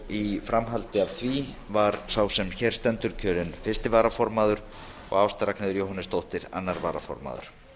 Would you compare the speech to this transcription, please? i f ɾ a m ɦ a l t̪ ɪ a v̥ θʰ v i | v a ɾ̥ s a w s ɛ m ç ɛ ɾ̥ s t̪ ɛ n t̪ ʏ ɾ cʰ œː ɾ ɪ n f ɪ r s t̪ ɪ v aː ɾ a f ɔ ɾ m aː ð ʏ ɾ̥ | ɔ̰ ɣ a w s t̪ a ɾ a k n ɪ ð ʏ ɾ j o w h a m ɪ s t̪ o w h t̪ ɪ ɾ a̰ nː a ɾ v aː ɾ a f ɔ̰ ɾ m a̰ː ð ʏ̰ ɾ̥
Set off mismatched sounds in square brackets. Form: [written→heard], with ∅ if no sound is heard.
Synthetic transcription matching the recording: i f ɾ a m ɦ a l t̪ ɪ a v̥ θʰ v i | v a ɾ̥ s a w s ɛ m ç ɛ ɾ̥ s t̪ ɛ n t̪ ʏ ɾ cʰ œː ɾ ɪ n f ɪ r s t̪ ɪ v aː ɾ a f ɔ ɾ m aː ð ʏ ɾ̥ | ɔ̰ ɣ a w s t̪ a ɾ a k n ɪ ð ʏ ɾ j o w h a [m→n] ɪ s t̪ o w h t̪ ɪ ɾ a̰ nː a ɾ v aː ɾ a f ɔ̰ ɾ m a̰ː ð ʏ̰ ɾ̥